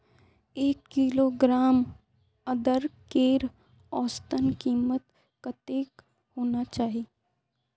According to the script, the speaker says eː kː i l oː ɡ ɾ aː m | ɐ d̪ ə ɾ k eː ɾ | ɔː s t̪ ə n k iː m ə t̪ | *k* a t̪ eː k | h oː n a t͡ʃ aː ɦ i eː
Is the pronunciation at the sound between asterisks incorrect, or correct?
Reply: correct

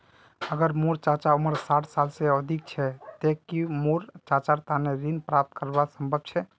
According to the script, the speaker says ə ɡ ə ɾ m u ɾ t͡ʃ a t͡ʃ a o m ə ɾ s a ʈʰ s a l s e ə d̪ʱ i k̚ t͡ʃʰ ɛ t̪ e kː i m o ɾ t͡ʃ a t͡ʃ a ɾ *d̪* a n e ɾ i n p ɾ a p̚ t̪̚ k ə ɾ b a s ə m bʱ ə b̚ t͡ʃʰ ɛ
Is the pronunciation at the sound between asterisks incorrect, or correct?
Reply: incorrect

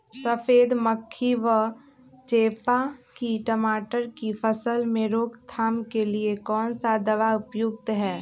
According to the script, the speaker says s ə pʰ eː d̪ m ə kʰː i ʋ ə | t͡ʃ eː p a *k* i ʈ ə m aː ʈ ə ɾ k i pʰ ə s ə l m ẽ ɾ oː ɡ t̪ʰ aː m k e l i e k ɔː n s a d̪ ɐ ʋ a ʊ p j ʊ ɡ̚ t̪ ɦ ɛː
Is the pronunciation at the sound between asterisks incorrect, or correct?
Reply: correct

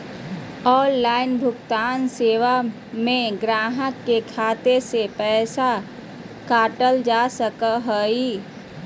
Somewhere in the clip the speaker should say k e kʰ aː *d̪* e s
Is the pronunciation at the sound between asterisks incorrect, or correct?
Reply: incorrect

